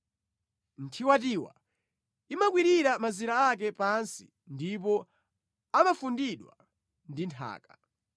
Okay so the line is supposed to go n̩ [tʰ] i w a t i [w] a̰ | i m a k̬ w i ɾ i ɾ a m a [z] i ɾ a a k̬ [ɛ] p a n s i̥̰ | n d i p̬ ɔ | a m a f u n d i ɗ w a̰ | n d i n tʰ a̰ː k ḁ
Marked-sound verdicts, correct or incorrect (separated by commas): correct, correct, correct, correct